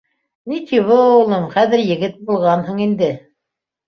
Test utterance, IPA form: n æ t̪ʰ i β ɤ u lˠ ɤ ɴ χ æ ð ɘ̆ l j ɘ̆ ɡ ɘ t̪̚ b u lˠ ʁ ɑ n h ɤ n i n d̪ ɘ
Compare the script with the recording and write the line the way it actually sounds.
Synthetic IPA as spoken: n i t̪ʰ i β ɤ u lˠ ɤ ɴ χ æ ð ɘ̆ ɾ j ɘ̆ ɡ ɘ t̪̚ b u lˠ ʁ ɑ n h ɤ ɴ i n d̪ ɘ